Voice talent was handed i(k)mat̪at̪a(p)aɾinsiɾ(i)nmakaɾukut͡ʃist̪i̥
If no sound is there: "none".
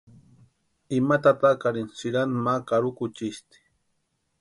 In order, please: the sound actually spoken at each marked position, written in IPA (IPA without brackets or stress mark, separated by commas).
none, k, a